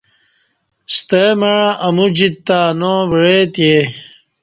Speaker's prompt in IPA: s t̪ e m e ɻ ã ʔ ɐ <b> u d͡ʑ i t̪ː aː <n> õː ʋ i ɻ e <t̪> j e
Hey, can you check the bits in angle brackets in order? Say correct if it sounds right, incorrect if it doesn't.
incorrect: m, correct, correct

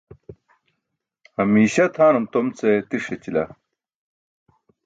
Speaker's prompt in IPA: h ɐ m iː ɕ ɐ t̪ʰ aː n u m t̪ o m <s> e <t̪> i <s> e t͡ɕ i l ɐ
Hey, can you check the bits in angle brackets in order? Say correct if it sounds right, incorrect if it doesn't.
incorrect: t͡s, correct, incorrect: ʂ

